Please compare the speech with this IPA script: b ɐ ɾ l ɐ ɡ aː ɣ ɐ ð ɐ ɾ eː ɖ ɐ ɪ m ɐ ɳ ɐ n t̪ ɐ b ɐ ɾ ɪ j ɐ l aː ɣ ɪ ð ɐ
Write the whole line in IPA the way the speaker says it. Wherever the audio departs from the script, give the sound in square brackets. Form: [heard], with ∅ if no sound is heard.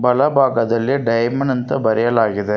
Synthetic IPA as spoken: b ɐ [∅] l ɐ [b] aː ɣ ɐ ð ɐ [l] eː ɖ ɐ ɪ m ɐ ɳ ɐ n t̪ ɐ b ɐ ɾ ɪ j ɐ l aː ɣ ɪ ð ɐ